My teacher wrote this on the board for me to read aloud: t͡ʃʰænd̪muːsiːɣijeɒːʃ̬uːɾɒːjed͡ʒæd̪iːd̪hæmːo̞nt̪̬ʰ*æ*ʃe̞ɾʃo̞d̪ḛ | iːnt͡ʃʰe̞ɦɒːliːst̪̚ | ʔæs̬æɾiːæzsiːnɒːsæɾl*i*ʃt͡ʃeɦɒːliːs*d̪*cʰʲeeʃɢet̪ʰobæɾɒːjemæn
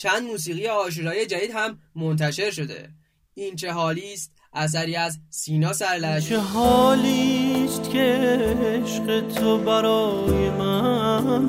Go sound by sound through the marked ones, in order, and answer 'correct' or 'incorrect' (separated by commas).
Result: correct, incorrect, incorrect